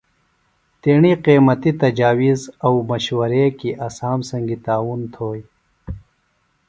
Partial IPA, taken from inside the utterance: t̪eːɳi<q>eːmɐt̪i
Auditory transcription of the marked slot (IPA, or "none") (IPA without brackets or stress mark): q